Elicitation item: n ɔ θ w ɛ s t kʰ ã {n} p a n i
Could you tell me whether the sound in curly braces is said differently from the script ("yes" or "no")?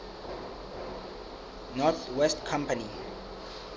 yes